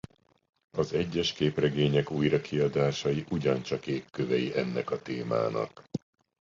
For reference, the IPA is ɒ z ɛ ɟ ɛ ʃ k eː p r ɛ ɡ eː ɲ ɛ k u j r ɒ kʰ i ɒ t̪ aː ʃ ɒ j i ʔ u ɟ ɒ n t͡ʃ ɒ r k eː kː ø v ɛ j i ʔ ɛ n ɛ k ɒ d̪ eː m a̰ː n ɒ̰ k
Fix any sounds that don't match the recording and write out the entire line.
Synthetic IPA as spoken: ɒ z ɛ ɟː ɛ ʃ k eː p r ɛ ɡ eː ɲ ɛ k u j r ɒ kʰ i ɒ d̪ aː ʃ ɒ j i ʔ u ɟ ɒ n t͡ʃ ɒ k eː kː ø v ɛ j i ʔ ɛ nː ɛ k ɒ t̪ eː m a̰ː n ɒ̰ k